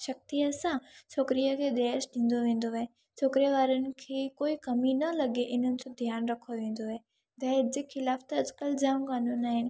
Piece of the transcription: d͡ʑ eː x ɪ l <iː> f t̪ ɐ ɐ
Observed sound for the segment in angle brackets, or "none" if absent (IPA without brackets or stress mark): aː